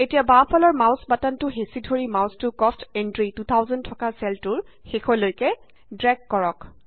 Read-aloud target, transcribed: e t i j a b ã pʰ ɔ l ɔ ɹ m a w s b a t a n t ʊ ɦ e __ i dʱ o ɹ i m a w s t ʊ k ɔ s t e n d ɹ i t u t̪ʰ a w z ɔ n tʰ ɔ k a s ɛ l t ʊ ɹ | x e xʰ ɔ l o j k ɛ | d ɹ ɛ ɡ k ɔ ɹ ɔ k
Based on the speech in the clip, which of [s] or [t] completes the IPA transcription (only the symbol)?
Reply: s